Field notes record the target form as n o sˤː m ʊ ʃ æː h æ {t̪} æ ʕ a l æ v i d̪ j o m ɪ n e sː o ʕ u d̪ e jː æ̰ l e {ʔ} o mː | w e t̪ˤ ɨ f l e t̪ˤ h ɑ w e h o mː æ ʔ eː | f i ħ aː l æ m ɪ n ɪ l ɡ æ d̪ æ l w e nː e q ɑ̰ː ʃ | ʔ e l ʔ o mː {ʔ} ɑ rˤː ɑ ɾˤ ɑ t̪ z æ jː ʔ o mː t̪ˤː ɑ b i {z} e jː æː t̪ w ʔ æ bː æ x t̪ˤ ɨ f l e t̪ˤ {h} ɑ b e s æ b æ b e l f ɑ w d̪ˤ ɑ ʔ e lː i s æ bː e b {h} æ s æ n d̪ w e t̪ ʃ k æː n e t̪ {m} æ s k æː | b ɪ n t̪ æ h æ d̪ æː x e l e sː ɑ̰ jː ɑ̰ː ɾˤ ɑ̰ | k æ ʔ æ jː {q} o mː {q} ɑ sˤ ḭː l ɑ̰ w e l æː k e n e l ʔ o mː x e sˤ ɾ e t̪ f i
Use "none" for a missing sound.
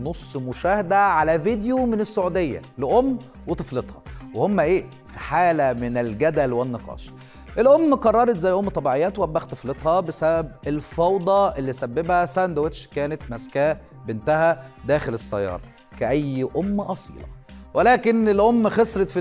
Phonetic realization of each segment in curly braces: d̪, ʔ, q, ʕ, h, h, m, ʔ, ʔ

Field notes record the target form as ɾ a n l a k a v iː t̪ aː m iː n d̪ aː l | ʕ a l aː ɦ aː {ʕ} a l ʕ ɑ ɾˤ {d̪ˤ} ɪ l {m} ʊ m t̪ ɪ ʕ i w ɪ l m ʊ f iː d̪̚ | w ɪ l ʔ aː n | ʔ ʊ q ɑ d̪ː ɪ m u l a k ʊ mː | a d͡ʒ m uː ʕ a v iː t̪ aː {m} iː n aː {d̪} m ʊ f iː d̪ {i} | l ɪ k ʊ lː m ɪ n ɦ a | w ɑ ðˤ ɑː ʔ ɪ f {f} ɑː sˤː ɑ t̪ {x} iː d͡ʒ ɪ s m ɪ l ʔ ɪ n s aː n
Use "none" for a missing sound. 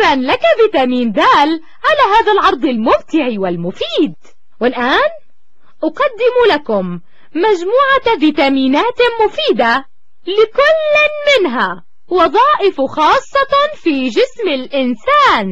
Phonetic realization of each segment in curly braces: ð, d̪ˤ, m, m, t̪, a, x, f

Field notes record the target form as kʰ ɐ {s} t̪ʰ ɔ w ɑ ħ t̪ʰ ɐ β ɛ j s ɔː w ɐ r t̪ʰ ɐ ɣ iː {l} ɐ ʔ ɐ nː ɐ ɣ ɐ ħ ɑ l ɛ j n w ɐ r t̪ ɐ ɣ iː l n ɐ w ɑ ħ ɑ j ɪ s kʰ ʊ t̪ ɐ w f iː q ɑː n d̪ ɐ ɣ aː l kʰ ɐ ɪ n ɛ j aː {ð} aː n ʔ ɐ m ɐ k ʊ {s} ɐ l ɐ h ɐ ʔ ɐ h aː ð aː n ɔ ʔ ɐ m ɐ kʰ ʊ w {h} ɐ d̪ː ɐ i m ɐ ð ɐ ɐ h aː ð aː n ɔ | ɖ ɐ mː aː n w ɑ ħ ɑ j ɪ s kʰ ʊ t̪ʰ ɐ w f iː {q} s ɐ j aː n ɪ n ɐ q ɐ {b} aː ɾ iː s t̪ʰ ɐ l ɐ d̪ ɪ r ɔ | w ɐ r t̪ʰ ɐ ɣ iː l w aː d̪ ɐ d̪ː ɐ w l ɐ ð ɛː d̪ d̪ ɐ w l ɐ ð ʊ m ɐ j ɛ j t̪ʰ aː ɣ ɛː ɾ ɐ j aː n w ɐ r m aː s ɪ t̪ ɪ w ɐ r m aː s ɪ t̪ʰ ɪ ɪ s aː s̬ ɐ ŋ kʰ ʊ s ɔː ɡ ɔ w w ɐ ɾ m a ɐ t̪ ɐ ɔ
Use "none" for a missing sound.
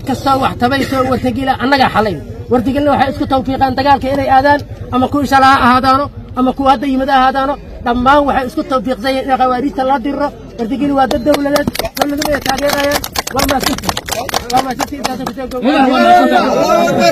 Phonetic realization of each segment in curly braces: s, l, ð, ʃ, h, q, w

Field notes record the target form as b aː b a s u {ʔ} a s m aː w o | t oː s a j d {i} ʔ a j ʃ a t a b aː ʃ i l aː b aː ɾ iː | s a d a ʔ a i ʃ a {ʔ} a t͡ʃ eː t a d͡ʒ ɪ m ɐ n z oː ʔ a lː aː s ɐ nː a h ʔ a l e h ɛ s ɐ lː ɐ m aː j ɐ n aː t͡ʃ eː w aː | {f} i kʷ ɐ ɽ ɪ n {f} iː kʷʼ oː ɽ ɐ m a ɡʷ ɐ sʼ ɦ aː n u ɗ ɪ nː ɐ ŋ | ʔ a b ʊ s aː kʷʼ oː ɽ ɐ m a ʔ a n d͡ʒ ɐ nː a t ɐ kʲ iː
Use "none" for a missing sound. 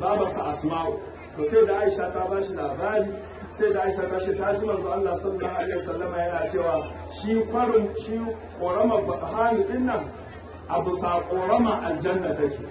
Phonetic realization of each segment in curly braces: ʔ, a, t, ʃ, ʃ

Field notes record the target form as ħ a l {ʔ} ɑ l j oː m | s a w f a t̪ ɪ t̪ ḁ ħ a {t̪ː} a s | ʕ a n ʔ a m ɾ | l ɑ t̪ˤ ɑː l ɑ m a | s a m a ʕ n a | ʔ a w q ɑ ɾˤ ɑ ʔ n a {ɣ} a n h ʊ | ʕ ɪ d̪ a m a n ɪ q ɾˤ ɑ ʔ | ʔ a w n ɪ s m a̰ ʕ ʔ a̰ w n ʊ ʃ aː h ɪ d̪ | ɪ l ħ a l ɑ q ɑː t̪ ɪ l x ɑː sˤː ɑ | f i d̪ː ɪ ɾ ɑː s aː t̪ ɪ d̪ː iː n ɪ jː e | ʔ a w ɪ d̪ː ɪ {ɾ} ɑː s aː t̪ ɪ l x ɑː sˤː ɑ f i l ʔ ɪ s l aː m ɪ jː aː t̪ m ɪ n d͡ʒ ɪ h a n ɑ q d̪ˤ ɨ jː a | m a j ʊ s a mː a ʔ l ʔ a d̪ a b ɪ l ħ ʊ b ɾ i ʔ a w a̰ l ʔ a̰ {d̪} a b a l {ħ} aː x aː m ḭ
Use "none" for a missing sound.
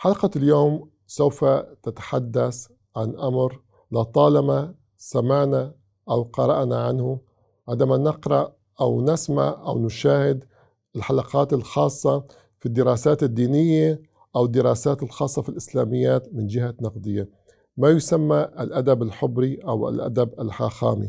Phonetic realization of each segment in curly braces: q, d̪ː, ʕ, ɾ, d̪, ħ

